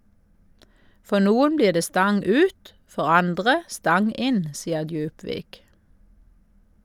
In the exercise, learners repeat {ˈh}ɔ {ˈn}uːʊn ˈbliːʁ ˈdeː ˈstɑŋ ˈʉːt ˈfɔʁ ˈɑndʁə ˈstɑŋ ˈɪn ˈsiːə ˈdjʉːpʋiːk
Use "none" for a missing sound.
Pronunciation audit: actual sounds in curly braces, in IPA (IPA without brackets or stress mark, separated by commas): f, n